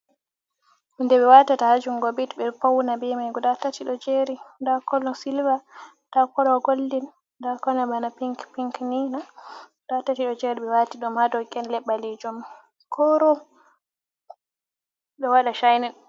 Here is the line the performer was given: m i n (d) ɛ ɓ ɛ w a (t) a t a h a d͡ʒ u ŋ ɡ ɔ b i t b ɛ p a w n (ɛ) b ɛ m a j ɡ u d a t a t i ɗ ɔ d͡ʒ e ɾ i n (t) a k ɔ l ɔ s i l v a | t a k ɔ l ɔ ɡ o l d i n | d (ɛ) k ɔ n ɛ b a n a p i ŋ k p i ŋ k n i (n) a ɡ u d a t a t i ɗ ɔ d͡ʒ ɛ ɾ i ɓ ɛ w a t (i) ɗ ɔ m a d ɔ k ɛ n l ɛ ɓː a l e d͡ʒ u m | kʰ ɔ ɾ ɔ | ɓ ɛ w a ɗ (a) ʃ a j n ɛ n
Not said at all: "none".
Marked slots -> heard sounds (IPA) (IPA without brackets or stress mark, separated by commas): d, t, a, d, a, n, i, a